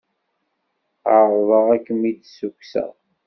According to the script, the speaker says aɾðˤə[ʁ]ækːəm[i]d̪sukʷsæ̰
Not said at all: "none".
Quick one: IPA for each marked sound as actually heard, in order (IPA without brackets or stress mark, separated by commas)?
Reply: ʁ, i